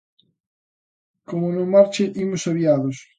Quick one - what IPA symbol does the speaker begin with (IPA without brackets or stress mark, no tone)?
k